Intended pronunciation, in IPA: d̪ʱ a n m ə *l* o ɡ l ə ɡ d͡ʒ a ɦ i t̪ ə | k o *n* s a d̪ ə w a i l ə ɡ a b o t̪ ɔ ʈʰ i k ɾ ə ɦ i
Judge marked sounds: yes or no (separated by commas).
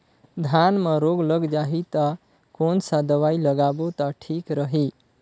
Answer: no, yes